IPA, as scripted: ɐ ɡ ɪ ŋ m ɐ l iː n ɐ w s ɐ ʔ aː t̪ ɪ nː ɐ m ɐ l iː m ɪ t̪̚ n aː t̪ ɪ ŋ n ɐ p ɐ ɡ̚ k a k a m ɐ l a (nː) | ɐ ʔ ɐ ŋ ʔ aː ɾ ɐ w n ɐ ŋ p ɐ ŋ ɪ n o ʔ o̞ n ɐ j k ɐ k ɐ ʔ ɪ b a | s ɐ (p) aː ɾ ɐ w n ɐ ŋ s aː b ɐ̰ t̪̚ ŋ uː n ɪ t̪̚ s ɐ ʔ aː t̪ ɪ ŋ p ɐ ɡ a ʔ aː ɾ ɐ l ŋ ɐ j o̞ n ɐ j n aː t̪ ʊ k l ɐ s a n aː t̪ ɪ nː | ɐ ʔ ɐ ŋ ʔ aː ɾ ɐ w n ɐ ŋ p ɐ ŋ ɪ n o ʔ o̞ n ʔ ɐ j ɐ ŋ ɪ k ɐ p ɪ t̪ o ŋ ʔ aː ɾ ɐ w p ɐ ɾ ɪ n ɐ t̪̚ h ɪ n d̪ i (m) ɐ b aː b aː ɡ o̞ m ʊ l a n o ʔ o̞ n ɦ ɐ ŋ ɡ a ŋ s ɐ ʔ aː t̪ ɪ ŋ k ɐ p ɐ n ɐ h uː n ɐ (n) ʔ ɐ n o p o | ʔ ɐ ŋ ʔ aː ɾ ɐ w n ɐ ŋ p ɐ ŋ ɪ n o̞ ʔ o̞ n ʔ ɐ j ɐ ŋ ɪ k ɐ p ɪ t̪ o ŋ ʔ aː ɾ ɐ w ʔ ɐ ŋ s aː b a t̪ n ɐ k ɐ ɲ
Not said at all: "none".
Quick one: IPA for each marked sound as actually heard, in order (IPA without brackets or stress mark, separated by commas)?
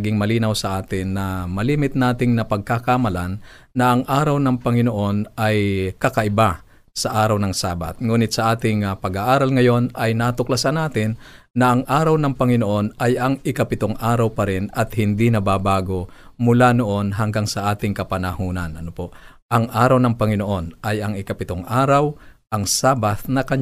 nː, ʔ, n, n